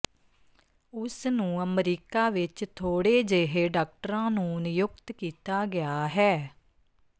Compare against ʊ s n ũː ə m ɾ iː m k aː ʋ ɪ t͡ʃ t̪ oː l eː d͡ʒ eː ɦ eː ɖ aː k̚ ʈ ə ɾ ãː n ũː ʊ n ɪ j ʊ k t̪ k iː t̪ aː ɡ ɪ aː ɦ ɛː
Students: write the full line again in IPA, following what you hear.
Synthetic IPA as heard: ʊ s n ũː ə m ɾ iː k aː ʋ ɪ t͡ʃ t̪ʰ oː ɽ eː d͡ʒ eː ɦ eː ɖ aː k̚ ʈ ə ɾ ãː n ũː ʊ n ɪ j ʊ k t̪ k iː t̪ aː ɡ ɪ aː ɦ ɛː